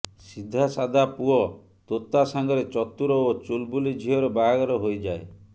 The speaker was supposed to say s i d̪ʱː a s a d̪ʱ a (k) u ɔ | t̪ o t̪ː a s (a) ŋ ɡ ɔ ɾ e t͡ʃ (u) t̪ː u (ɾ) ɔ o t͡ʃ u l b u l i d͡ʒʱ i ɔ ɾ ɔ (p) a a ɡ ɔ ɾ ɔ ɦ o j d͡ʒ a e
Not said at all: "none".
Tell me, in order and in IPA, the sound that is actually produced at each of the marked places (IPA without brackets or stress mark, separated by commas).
p, a, ɔ, ɾ, b